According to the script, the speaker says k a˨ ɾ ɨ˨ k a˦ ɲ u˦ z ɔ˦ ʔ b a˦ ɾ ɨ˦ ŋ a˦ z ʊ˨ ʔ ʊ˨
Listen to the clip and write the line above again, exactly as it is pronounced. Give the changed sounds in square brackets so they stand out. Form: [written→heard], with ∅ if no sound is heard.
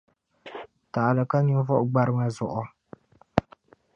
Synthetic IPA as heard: [k→t] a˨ [ɾ→l] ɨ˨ k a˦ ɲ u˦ [z→v] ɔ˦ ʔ [b→ɡ͡b] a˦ ɾ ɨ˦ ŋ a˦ z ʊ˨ ʔ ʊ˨